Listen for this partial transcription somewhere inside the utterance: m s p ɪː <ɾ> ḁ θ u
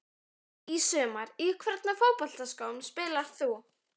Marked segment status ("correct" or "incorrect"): incorrect